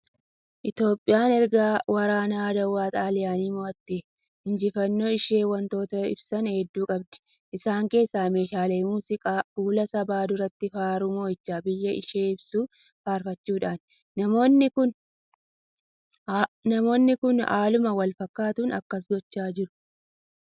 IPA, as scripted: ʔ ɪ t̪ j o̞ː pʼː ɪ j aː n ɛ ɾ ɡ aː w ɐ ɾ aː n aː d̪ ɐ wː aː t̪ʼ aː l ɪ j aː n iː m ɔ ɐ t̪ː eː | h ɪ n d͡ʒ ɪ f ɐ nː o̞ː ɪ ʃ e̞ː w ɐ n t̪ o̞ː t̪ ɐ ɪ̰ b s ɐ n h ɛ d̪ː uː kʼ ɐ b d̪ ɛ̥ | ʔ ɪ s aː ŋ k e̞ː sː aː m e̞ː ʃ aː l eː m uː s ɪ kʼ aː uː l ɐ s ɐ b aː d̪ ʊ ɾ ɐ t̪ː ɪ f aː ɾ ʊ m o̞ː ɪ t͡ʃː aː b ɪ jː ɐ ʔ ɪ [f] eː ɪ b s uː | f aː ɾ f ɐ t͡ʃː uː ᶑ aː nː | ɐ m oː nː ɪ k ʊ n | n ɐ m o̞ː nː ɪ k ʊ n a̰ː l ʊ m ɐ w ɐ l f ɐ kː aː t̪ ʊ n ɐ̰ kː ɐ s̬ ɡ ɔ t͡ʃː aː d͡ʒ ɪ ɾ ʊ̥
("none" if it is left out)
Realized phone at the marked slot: ʃ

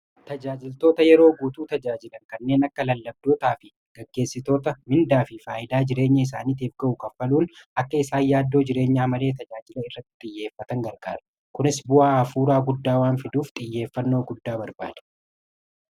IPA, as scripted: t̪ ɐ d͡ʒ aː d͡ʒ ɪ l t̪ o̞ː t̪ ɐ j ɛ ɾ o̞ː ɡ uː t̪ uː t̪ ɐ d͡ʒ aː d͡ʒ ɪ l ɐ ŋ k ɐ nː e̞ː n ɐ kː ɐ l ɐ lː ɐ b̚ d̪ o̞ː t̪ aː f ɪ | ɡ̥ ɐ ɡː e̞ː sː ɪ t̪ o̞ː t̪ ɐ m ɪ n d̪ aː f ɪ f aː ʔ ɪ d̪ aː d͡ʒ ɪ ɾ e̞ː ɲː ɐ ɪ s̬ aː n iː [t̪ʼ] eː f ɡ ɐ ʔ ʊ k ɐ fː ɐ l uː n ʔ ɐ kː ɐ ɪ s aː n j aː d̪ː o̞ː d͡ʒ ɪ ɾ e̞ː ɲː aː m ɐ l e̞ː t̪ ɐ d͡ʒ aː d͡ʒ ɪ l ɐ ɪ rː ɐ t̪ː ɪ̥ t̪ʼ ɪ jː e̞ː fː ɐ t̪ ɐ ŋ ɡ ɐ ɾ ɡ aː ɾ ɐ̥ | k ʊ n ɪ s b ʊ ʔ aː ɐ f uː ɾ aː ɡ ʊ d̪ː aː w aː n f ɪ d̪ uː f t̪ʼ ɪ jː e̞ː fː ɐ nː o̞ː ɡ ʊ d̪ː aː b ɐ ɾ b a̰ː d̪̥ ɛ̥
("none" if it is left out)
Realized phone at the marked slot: t̪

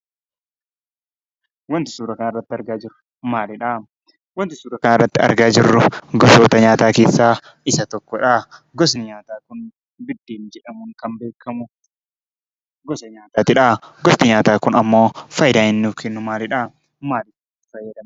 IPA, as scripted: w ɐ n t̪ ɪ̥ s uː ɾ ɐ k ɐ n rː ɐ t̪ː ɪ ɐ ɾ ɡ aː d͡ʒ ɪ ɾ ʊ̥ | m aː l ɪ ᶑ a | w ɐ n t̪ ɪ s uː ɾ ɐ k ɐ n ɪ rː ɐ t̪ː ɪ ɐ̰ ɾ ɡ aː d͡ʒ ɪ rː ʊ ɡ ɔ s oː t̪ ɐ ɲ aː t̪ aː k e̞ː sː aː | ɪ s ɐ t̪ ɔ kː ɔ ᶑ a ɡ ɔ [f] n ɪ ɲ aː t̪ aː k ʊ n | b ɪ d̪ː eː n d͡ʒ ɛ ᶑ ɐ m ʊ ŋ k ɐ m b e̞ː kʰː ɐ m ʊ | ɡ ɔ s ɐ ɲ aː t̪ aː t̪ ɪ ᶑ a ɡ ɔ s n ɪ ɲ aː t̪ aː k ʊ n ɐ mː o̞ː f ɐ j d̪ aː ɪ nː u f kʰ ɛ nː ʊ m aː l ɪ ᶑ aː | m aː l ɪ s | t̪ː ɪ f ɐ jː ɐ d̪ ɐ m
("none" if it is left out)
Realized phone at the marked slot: s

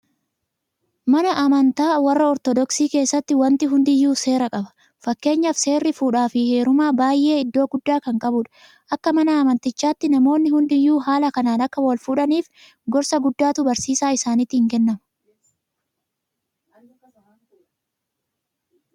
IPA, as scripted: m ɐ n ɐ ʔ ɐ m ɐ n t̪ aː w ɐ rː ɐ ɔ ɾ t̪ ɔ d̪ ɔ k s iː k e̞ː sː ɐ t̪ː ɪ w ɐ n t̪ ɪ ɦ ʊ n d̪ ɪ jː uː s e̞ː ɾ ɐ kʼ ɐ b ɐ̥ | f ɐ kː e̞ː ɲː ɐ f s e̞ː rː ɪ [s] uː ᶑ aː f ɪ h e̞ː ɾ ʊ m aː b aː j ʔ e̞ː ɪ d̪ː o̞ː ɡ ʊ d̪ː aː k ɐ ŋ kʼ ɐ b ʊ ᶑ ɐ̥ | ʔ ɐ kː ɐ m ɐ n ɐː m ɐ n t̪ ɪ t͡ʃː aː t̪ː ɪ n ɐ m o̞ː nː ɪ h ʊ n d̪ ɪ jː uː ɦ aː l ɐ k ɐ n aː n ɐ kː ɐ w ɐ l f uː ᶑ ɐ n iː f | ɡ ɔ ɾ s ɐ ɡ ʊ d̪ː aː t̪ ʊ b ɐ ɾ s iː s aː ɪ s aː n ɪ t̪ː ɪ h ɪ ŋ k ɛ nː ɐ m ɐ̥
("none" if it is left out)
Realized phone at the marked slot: f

